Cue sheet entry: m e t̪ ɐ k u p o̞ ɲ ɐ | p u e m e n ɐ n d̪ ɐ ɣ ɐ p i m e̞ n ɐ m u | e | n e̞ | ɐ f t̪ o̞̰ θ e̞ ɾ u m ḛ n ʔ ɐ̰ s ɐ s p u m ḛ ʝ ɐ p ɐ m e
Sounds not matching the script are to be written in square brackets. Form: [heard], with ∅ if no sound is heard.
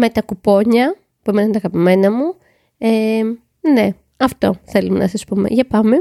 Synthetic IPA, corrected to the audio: m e t̪ ɐ k u p o̞ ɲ ɐ | p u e m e n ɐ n [t̪] ɐ ɣ ɐ p i m e̞ n ɐ m u | e | n e̞ | ɐ f t̪ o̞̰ θ e̞ [l] u m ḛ n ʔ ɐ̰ s ɐ s p u m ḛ ʝ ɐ p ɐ m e